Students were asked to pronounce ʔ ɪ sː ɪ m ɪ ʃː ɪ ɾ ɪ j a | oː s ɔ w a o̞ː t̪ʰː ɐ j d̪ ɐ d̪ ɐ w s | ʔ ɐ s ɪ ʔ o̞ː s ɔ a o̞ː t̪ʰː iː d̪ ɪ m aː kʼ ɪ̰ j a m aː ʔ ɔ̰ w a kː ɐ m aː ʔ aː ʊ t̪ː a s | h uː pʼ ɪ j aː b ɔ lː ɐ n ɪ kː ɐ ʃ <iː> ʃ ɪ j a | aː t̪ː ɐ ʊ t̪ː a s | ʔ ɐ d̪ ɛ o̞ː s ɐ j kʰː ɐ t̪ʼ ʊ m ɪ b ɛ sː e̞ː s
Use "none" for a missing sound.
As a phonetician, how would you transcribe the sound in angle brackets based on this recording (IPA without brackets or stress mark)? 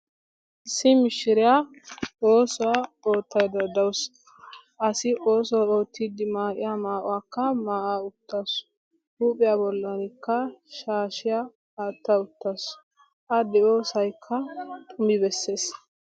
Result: aː